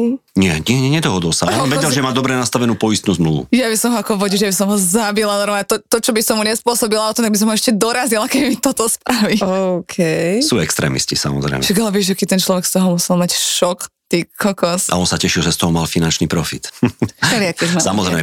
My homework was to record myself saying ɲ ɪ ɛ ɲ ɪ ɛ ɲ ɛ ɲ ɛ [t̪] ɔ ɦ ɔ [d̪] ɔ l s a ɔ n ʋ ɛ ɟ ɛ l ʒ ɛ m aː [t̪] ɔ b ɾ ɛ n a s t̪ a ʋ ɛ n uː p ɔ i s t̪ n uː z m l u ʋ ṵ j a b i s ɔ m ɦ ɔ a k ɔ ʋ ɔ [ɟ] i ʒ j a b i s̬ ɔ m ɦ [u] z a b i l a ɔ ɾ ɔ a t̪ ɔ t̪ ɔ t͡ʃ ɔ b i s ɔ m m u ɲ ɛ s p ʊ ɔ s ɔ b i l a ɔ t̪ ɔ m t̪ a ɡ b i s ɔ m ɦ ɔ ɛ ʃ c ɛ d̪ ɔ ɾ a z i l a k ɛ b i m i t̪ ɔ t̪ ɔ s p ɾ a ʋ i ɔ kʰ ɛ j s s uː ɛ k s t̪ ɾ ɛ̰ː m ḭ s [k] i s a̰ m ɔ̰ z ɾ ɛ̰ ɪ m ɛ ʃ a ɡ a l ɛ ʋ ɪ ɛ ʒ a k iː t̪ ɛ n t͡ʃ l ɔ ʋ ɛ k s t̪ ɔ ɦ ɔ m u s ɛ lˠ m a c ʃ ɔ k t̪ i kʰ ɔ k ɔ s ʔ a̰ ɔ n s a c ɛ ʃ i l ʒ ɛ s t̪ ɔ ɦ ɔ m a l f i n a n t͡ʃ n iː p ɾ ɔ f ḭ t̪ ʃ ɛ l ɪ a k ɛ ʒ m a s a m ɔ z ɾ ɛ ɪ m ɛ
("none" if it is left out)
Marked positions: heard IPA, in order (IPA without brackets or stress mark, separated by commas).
d̪, d̪, d̪, ɟ, ɔ, c